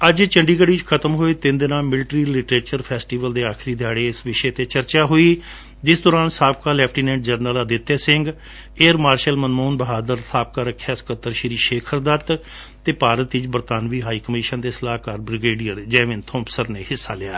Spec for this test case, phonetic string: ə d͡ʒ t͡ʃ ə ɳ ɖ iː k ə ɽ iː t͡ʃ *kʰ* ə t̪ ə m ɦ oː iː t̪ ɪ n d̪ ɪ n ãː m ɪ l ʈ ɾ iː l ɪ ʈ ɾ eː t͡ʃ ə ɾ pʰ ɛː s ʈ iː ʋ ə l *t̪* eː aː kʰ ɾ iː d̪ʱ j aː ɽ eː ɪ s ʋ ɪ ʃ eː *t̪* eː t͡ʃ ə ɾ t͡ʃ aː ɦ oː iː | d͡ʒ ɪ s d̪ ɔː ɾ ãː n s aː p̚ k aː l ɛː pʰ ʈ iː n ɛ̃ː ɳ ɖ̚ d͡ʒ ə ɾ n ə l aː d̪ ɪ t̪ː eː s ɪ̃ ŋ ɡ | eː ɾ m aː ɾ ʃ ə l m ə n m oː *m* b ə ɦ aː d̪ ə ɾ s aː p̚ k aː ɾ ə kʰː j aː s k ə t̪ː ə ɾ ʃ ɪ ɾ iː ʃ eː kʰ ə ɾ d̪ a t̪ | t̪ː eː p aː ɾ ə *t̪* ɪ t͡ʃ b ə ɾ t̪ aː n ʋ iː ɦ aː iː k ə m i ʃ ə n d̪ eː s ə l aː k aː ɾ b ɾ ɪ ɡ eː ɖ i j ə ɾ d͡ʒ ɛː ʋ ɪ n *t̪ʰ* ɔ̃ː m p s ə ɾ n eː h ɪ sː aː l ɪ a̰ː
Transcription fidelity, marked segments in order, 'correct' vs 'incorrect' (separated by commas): correct, incorrect, correct, incorrect, correct, correct